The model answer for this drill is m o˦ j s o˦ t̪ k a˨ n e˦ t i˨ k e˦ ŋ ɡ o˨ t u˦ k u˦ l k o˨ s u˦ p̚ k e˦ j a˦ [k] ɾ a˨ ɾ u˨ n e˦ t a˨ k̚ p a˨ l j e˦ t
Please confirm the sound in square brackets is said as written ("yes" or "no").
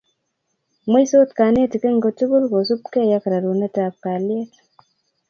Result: yes